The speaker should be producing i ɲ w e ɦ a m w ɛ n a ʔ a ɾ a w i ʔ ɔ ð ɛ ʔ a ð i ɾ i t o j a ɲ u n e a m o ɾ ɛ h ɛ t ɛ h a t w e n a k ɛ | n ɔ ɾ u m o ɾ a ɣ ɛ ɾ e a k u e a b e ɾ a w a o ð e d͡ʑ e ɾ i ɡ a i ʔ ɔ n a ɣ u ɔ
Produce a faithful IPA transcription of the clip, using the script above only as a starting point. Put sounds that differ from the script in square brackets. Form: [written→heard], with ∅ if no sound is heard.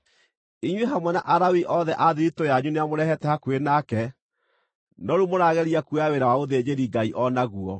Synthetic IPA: i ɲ w e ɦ a m w ɛ n a ʔ a ɾ a w i ʔ ɔ ð ɛ ʔ a ð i ɾ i t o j a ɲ u n e a m o ɾ ɛ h ɛ t ɛ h a [t→k] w e n a k ɛ | n ɔ ɾ u m o ɾ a ɣ ɛ ɾ [e→i] a k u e a [b→w] e ɾ a w a o ð e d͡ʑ e ɾ i ɡ a i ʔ ɔ n a ɣ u ɔ

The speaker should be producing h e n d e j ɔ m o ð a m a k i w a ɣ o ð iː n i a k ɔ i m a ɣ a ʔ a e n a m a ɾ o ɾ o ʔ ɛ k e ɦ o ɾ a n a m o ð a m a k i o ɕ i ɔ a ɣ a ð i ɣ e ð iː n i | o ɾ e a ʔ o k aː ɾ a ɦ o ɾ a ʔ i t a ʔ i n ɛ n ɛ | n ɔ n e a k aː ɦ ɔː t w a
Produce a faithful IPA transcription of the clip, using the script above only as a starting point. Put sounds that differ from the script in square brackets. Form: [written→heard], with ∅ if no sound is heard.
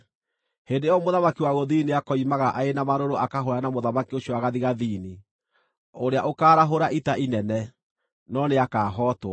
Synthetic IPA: h e n d e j ɔ m o ð a m a k i w a ɣ o ð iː n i a k ɔ i m a ɣ a ʔ a e n a m a ɾ o ɾ o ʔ [ɛ→a] k [e→a] ɦ o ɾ a n a m o ð a m a k i o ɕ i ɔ a ɣ a ð i ɣ [e→a] ð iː n i | o ɾ e a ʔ o k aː ɾ a ɦ o ɾ a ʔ i t a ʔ i n ɛ n ɛ | n ɔ n e a k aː ɦ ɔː t w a

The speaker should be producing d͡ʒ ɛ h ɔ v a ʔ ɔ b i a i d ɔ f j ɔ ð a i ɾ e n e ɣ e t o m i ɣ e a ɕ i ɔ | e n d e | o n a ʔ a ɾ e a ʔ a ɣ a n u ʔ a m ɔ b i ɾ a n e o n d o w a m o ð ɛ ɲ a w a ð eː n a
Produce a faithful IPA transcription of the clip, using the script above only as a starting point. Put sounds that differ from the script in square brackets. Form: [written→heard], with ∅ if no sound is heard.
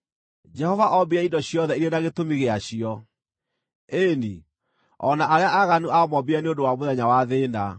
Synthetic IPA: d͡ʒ ɛ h ɔ v a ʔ ɔ b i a i d ɔ [f→ɕ] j ɔ ð [a→ɛ] i ɾ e n [e→a] ɣ e t o m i ɣ e a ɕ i ɔ | e n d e | [o→ɔ] n a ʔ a ɾ e a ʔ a ɣ a n u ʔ a m ɔ b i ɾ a n e o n d o w a m o ð ɛ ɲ a w a ð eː n a

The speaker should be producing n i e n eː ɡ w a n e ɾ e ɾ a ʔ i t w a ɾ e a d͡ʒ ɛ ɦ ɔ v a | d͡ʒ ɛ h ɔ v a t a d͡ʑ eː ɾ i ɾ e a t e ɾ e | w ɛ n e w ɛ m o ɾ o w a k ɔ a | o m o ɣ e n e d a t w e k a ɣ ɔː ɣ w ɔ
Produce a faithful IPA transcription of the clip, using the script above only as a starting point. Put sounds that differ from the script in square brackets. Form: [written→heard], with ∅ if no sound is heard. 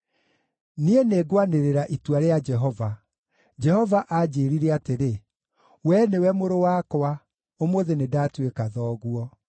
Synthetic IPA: n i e n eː ɡ w a n e ɾ e ɾ a ʔ i t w a ɾ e a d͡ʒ ɛ ɦ ɔ v a | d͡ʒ ɛ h ɔ v a [t→ʔ] a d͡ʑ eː ɾ i ɾ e a t e ɾ e | w ɛ n e w ɛ m o ɾ o w a k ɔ a | o m o [ɣ→ð] e n e d a t w e k a [ɣ→ð] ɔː ɣ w ɔ

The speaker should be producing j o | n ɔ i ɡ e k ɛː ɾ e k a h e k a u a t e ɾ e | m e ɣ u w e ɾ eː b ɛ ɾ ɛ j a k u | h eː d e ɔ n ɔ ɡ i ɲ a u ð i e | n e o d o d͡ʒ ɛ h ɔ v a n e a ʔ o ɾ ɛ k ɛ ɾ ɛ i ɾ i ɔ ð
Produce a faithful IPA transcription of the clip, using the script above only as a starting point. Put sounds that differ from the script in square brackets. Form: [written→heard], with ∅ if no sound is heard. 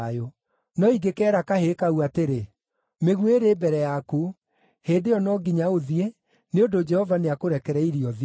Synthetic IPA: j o | n ɔ i ɡ e k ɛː ɾ [e→a] k a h e k a u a t e ɾ e | m e ɣ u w e ɾ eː b ɛ ɾ ɛ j a k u | h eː d e ɔ n ɔ ɡ i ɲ a [u→o] ð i e | n e o d o d͡ʒ ɛ h ɔ v a n e a [ʔ→k] o ɾ ɛ k ɛ ɾ ɛ i ɾ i ɔ ð

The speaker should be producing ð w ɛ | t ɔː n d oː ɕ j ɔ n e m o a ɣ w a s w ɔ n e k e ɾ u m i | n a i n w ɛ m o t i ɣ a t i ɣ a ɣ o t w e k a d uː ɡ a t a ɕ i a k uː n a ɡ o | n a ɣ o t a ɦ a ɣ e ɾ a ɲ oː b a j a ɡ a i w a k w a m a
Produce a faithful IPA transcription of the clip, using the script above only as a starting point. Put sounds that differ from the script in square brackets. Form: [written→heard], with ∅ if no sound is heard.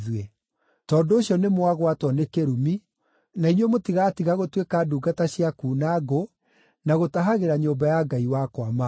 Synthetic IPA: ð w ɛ | t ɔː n d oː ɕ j ɔ n e m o a ɣ w a [s→t] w ɔ n e k e ɾ u m i | n a i n w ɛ m o t i ɣ a t i ɣ a ɣ o t w e k a d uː ɡ a t a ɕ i a k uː n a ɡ o | n a ɣ o t a ɦ a ɣ e ɾ a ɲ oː b a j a ɡ a i w a k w a m a

